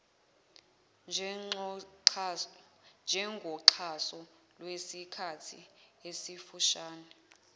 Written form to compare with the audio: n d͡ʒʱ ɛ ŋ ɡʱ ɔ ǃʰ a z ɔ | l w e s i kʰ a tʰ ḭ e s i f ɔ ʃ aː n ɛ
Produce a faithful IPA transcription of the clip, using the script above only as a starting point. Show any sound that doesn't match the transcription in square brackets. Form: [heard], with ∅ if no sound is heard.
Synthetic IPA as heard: n d͡ʒʱ ɛ ŋ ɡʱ ɔ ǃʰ a [s] ɔ | l w e s i kʰ a tʰ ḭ e s i f [u] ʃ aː n ɛ